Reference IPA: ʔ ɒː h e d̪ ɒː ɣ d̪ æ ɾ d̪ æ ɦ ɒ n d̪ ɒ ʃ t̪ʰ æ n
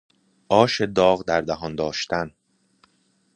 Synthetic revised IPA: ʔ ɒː ʃ e d̪ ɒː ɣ d̪ æ ɾ d̪ æ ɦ ɒ n d̪ ɒː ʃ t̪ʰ æ n